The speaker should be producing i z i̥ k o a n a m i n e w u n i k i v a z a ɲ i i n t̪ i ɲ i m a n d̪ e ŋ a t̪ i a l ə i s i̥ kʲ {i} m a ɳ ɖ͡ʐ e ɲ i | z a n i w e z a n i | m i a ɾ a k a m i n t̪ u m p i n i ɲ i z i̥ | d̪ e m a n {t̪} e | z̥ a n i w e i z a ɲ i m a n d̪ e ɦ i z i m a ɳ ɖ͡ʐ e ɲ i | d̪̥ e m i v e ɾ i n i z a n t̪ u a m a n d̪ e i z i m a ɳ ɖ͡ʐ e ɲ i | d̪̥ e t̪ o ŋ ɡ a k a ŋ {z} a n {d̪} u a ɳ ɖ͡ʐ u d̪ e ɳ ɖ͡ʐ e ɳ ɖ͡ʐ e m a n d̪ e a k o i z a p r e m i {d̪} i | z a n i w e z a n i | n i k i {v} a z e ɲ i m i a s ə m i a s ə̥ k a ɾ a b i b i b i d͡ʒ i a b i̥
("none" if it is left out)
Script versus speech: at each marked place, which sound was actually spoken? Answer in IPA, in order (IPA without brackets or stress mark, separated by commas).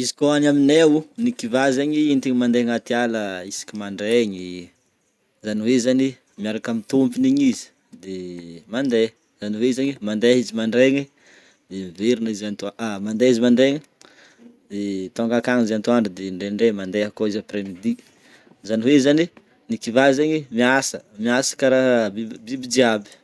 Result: i, d̪, z, t̪, d̪, v